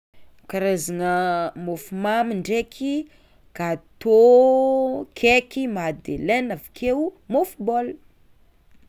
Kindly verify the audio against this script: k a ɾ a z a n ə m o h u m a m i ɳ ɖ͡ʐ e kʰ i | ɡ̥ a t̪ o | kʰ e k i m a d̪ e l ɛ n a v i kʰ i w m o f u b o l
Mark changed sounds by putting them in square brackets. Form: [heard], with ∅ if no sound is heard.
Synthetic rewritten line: k a ɾ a z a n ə m o [f] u m a m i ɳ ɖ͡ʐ e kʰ i | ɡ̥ a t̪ o | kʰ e k i m a d̪ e l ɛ n a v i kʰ [e] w m o f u b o l

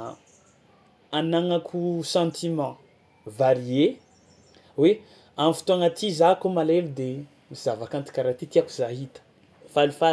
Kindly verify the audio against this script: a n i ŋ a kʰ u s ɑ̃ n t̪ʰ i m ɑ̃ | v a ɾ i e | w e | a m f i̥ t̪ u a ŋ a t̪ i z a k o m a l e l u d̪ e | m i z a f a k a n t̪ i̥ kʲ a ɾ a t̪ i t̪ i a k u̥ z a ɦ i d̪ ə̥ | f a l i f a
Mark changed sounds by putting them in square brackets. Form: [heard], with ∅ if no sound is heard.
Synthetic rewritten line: a n [a] ŋ a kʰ u s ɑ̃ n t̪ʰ i m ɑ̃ | v a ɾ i e | w e | a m f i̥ t̪ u a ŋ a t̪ i z a k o m a l e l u d̪ e | m i z a [v] a k a n t̪ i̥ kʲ a ɾ a t̪ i t̪ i a k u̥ z a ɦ i [t̪] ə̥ | f a l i f a

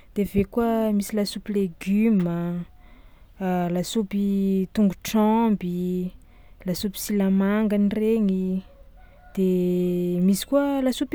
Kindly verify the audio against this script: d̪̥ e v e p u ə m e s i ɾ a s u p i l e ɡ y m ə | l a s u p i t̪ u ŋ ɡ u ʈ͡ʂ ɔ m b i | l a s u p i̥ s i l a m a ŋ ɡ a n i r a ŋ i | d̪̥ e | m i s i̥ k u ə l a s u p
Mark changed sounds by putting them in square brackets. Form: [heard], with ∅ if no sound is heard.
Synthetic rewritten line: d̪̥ e v e [k] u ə m [i] s i [l] a s u p i l e ɡ y m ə | l a s u p i t̪ u ŋ ɡ u ʈ͡ʂ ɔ m b i | l a s u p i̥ s i l a m a ŋ ɡ a n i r [e] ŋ i | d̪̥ e | m i s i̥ k u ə l a s u p

